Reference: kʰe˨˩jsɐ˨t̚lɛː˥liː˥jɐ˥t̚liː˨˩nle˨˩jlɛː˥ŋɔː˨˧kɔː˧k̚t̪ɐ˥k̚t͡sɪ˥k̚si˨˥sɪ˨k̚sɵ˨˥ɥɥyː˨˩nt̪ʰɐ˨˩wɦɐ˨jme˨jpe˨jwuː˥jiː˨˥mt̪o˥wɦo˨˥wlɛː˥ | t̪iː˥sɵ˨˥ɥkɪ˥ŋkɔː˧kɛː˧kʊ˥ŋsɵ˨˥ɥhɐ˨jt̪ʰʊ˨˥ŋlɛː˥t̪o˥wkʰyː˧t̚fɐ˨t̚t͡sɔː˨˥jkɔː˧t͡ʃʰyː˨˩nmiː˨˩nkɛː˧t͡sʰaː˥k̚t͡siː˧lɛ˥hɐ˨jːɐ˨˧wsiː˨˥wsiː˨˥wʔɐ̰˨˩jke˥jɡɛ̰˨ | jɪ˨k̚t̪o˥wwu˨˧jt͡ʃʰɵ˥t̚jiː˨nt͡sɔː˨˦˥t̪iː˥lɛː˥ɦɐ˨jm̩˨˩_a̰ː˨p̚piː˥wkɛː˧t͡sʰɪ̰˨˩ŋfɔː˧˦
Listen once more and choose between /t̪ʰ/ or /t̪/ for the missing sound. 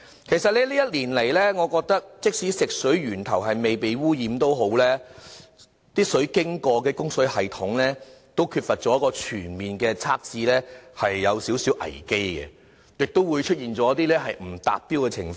t̪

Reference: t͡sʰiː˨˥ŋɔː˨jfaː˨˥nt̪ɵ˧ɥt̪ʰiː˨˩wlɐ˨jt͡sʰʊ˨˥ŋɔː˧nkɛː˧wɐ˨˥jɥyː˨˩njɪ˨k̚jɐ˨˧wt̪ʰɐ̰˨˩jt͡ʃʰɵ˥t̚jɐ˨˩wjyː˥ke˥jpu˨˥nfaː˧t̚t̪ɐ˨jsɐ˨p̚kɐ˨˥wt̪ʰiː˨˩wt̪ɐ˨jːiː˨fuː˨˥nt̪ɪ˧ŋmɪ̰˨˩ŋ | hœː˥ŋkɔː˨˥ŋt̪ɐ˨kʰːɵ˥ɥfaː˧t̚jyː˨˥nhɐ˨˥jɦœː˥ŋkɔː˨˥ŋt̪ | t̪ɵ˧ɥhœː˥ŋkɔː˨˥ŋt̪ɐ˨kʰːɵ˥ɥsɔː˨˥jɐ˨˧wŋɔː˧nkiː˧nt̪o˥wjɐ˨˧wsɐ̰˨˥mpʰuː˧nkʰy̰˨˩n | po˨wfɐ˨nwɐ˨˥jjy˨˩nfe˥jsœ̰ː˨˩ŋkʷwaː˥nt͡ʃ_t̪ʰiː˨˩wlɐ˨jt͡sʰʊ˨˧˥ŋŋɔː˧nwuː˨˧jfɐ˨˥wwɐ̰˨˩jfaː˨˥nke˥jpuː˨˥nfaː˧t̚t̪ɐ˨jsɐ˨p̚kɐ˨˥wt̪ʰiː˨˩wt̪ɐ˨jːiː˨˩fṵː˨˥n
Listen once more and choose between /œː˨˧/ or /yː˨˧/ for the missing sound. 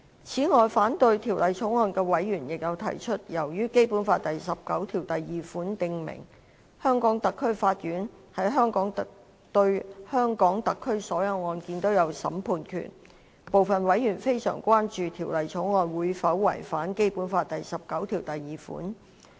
yː˨˧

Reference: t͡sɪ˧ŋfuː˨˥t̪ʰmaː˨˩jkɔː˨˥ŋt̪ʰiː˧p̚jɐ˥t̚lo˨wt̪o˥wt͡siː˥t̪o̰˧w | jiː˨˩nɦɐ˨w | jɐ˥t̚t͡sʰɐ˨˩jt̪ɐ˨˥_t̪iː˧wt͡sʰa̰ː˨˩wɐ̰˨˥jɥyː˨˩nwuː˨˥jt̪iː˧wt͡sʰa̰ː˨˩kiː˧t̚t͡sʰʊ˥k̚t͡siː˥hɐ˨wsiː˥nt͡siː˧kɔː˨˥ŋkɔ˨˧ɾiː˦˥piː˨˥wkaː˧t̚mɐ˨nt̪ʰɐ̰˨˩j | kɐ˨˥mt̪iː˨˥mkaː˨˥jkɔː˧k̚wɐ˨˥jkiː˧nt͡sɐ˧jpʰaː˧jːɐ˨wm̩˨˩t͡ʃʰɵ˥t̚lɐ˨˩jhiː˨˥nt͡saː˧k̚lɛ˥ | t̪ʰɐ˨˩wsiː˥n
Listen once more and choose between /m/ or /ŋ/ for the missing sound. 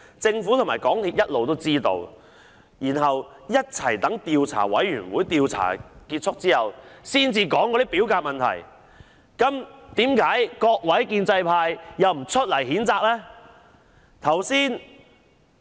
ŋ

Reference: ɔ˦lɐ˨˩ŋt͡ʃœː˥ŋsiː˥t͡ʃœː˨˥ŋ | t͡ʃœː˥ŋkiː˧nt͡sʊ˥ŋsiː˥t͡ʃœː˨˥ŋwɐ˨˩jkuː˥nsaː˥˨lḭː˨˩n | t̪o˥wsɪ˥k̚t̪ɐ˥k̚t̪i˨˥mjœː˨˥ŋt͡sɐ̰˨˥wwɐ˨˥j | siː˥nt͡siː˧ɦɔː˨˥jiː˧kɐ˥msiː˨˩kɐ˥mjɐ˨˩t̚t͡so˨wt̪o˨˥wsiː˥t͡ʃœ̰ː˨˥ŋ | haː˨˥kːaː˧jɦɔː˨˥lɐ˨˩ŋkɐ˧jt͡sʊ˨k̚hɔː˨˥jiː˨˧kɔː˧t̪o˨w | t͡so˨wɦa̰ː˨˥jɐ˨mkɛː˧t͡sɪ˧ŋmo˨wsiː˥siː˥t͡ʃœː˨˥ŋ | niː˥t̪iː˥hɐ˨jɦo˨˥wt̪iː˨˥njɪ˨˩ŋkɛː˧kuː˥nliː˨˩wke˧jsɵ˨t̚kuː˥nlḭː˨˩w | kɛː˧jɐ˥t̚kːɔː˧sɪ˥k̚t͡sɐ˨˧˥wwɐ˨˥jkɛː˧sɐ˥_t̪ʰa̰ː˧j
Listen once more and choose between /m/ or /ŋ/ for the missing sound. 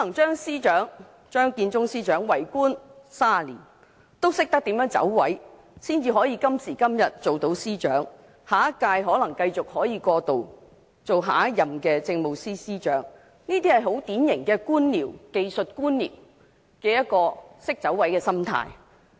m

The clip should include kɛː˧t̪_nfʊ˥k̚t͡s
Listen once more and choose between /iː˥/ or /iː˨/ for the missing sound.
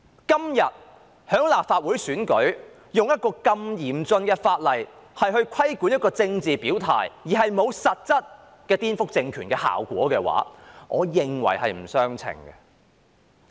iː˥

